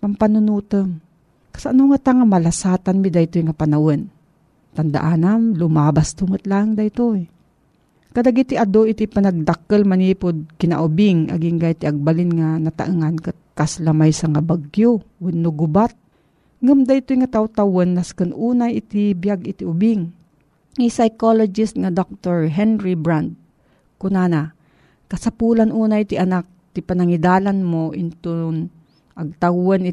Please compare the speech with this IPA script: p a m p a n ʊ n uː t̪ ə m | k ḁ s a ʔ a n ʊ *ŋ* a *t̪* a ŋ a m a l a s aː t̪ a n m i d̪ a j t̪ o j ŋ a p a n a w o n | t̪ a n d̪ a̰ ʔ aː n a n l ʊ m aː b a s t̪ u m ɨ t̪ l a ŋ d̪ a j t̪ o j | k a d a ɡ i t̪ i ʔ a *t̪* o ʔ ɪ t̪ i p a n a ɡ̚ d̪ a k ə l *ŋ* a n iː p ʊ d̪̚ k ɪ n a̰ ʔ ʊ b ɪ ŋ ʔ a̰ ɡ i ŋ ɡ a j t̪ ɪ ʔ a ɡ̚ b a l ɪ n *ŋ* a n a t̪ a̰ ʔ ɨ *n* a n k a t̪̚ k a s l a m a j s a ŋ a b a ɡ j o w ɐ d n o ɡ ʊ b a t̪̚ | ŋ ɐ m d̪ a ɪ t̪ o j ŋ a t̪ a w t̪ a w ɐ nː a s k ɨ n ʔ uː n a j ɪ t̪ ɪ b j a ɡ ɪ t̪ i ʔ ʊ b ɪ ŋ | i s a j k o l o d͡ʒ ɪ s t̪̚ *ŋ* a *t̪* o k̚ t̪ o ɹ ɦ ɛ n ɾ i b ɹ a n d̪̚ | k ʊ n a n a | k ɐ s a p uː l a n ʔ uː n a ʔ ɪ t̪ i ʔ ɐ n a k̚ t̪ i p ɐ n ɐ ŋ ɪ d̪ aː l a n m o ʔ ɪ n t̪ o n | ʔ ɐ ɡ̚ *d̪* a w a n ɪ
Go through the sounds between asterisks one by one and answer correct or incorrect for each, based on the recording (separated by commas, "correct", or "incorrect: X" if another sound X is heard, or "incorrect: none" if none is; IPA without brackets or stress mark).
correct, correct, incorrect: d̪, incorrect: m, correct, incorrect: ŋ, correct, incorrect: d̪, incorrect: t̪